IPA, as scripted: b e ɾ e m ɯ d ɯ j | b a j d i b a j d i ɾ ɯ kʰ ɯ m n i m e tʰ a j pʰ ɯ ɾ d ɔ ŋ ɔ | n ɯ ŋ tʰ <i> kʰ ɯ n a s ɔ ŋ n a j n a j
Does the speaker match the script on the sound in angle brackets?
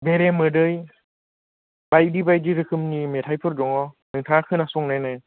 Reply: no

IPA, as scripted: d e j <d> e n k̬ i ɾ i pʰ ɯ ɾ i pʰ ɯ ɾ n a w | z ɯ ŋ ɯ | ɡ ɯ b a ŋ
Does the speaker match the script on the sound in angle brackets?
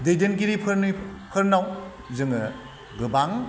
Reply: yes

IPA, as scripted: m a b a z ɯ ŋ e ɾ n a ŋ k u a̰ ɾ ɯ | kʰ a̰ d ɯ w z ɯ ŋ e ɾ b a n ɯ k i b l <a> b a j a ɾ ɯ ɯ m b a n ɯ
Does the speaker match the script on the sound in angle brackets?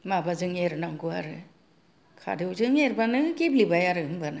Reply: no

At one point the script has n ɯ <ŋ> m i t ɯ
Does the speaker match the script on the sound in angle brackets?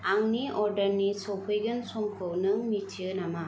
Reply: yes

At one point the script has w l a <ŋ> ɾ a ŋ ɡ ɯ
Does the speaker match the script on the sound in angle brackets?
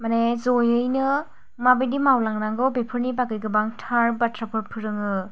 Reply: yes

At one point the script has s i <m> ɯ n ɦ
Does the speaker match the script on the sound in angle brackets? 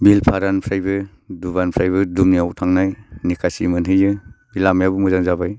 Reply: yes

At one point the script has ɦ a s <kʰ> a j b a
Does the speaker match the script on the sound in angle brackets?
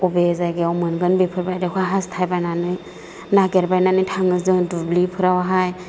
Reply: no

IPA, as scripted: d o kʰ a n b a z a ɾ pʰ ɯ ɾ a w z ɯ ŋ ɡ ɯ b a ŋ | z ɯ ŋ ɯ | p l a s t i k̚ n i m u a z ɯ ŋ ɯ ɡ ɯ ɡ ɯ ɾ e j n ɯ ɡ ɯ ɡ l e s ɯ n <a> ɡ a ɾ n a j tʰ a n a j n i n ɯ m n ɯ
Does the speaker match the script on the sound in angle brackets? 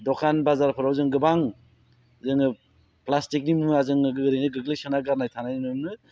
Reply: yes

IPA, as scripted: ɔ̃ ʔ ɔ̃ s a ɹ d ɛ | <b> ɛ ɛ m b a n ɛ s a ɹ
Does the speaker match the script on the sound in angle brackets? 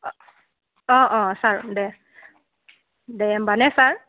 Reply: no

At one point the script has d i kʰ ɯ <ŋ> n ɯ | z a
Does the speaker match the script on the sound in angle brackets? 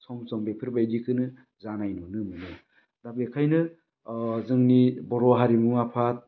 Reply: no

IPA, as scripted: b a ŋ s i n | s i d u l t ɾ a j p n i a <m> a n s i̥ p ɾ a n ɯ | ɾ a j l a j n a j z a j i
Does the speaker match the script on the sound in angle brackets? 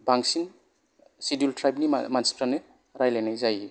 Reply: yes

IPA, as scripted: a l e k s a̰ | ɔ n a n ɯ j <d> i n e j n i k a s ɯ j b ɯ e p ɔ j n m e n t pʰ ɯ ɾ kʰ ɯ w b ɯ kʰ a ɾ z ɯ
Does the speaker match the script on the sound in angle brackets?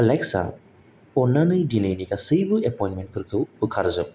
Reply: yes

